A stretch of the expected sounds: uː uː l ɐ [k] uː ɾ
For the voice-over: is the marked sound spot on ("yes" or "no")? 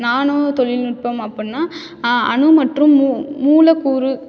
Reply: yes